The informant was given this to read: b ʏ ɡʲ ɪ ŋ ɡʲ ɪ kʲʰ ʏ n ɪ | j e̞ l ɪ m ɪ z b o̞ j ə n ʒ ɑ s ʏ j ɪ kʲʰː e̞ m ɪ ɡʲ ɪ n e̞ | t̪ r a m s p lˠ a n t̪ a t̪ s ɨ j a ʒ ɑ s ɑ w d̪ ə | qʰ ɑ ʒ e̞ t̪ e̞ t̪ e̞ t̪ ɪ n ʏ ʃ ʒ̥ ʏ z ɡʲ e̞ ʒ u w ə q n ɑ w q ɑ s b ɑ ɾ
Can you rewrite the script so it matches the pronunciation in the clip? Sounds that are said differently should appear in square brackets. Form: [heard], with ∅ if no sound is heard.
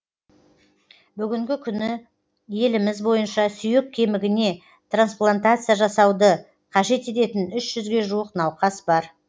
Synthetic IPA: b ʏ ɡʲ ɪ ŋ ɡʲ ɪ kʲʰ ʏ n ɪ | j e̞ l ɪ m ɪ z b o̞ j ə n [ʃ] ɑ s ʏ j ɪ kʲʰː e̞ m ɪ ɡʲ ɪ n e̞ | t̪ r a [n] s p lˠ a n t̪ a t̪ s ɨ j a ʒ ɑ s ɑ w d̪ ə | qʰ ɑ ʒ e̞ t̪ e̞ t̪ e̞ t̪ ɪ n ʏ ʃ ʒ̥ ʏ z ɡʲ e̞ ʒ u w ə q n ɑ w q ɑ s b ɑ ɾ

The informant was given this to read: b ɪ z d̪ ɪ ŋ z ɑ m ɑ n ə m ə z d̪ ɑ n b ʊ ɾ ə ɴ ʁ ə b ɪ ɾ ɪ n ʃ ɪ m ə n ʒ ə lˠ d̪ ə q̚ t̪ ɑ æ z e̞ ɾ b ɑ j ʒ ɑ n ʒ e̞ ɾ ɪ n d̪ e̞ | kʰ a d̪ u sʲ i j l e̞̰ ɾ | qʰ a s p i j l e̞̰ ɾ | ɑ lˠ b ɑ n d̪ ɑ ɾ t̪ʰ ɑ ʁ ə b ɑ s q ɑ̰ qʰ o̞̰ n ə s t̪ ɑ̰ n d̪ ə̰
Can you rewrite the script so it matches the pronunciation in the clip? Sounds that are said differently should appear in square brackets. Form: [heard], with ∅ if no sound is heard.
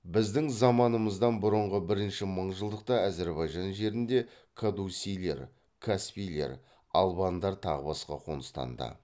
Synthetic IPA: b ɪ z d̪ ɪ ŋ z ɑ m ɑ n ə m ə z d̪ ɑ n b ʊ ɾ ə ɴ ʁ ə b ɪ ɾ ɪ n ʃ ɪ m ə [ɴ] ʒ ə lˠ d̪ ə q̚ t̪ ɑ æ z e̞ ɾ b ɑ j ʒ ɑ n ʒ e̞ ɾ ɪ n d̪ e̞ | kʰ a d̪ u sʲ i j l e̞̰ ɾ | [kʰ] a s p i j l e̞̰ ɾ | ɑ lˠ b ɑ n d̪ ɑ ɾ t̪ʰ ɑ ʁ ə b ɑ s q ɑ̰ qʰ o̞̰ n ə s t̪ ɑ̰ n d̪ ə̰

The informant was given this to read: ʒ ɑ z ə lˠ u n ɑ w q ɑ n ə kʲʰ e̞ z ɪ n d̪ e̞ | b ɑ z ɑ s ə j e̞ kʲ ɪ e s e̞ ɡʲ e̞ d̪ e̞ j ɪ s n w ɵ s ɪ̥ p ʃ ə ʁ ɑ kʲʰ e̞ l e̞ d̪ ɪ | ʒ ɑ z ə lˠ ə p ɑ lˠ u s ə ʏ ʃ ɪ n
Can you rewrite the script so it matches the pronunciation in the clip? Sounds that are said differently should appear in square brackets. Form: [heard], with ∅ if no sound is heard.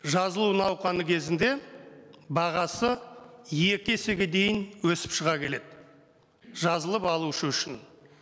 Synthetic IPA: ʒ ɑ z ə lˠ u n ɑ w q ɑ n ə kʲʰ e̞ z ɪ n d̪ e̞ | b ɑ [ʁ] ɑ s ə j e̞ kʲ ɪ e s e̞ ɡʲ e̞ d̪ e̞ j ɪ [∅] n w ɵ s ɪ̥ p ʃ ə ʁ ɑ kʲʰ e̞ l e̞ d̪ ɪ | ʒ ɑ z ə lˠ ə p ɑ lˠ u [ʃ] ə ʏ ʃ ɪ n

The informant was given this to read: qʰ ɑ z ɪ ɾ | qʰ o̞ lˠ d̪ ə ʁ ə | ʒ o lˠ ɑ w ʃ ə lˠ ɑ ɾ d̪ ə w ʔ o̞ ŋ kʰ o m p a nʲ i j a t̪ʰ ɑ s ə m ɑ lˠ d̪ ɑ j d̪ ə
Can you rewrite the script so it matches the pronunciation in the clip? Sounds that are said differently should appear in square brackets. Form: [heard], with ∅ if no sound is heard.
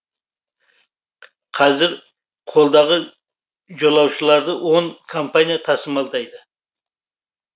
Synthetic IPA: qʰ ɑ z ɪ ɾ | qʰ o̞ lˠ d̪ [ɑ] ʁ ə | ʒ o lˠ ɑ w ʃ ə lˠ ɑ ɾ d̪ ə w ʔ o̞ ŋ kʰ o m p a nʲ i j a t̪ʰ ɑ s ə m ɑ lˠ d̪ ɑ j d̪ ə

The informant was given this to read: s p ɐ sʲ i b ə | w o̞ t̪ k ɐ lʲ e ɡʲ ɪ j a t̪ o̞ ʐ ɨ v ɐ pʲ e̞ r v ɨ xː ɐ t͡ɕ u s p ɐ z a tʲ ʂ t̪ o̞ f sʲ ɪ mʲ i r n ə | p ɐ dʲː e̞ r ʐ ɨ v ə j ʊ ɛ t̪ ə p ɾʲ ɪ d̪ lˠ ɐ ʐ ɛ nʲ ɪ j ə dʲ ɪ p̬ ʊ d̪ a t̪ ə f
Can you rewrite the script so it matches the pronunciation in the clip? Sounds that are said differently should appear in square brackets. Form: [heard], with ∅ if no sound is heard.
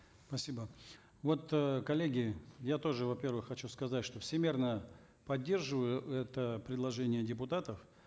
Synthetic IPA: s p ɐ sʲ i b ə | [v] o̞ t̪ k ɐ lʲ e ɡʲ ɪ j a t̪ o̞ ʐ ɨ v ɐ pʲ e̞ r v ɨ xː ɐ t͡ɕ u s [k] ɐ z a tʲ ʂ t̪ o̞ f sʲ ɪ mʲ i r n ə | p ɐ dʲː e̞ r ʐ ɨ v ə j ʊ ɛ t̪ ə p ɾʲ ɪ d̪ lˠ ɐ ʐ ɛ nʲ ɪ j ə dʲ ɪ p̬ ʊ [t̪] a t̪ ə f

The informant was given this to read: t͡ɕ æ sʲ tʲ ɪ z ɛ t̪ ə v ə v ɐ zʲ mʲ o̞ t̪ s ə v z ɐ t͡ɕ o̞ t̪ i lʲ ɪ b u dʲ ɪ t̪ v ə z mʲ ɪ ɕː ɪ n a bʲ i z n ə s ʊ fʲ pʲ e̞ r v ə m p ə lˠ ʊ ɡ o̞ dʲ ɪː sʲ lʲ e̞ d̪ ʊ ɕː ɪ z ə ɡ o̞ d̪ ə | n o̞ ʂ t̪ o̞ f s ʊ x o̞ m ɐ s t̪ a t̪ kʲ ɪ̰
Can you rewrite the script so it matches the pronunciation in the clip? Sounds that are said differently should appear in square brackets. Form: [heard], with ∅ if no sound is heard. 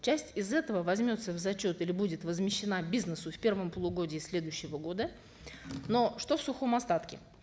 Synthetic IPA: t͡ɕ æ sʲ tʲ ɪ z ɛ t̪ ə v ə v ɐ zʲ mʲ o̞ t̪ s ə v z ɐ t͡ɕ o̞ t̪ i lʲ ɪ b u dʲ ɪ t̪ v ə z mʲ ɪ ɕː ɪ n a bʲ i z n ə s ʊ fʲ pʲ e̞ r v ə m p ə lˠ ʊ ɡ o̞ dʲ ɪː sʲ lʲ e̞ d̪ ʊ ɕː ɪ [v] ə ɡ o̞ d̪ ə | n o̞ ʂ t̪ o̞ f s ʊ x o̞ m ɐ s t̪ a t̪ kʲ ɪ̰

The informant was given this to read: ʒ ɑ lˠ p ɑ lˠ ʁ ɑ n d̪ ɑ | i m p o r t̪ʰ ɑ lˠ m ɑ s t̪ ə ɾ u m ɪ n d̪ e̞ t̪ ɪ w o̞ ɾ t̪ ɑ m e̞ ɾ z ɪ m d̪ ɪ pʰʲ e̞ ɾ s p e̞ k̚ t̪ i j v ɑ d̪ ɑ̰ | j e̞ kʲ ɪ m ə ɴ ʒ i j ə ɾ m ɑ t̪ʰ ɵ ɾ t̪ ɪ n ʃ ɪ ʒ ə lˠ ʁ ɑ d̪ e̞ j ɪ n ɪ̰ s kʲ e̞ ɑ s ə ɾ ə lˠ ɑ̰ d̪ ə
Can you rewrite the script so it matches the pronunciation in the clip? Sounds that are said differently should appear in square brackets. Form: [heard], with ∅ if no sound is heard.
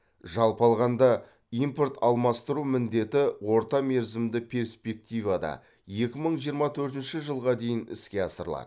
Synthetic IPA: ʒ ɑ lˠ p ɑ lˠ ʁ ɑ n d̪ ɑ | i m p o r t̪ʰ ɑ lˠ m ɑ s t̪ ə ɾ u m ɪ n d̪ e̞ t̪ ɪ w o̞ ɾ t̪ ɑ m e̞ ɾ z ɪ m d̪ ɪ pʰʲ e̞ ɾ s p e̞ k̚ t̪ i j v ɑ d̪ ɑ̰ | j e̞ kʲ ɪ m ə ɴ ʒ i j ə ɾ m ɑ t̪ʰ ɵ ɾ t̪ ɪ n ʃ ɪ ʒ ə lˠ ʁ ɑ d̪ e̞ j ɪ n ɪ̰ s kʲ e̞ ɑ s ə ɾ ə lˠ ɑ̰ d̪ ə

